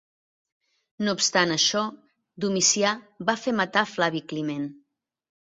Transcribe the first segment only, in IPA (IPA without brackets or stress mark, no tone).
n